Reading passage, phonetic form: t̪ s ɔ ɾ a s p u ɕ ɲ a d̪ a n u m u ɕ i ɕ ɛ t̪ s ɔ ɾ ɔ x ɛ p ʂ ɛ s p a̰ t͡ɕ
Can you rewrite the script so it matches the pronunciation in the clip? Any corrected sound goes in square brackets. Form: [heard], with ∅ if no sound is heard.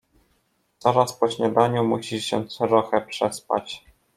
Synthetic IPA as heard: t̪ s ɔ ɾ a s p [ɔ] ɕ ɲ a d̪ a [ɲ] u m u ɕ i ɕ ɛ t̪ s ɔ ɾ ɔ x ɛ p ʂ ɛ s p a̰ t͡ɕ